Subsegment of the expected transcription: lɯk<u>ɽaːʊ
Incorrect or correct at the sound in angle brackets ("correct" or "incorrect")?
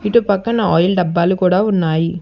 incorrect